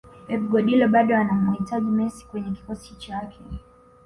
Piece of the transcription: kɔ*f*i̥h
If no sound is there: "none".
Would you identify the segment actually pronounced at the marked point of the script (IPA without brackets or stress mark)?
s